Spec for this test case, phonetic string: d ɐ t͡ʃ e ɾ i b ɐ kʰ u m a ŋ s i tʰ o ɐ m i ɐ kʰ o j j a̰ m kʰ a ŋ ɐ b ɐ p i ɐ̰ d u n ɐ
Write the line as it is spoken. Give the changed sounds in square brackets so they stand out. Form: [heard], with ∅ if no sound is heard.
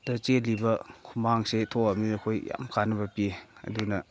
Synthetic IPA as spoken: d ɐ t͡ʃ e [l] i b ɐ kʰ u m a ŋ s [e] tʰ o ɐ m i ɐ kʰ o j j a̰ m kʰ a [n] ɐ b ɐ p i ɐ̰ d u n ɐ